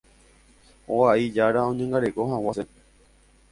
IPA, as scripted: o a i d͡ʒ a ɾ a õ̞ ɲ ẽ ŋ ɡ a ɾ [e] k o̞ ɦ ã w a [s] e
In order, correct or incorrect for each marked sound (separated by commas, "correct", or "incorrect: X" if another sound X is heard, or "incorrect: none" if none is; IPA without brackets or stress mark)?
correct, correct